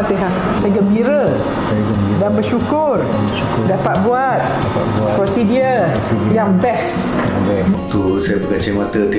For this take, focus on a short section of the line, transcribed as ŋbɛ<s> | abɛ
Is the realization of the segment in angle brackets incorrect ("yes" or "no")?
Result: no